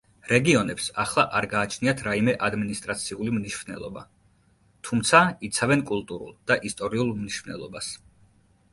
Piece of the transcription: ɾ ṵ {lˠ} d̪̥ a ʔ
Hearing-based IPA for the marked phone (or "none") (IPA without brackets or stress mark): lˠ